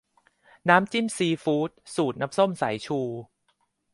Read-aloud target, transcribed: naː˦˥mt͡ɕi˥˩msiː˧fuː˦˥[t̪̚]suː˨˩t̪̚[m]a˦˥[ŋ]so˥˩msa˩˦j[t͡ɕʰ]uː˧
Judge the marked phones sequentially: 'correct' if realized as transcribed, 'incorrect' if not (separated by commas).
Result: correct, incorrect, incorrect, correct